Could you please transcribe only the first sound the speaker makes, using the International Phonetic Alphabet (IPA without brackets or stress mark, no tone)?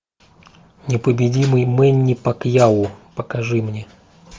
nʲ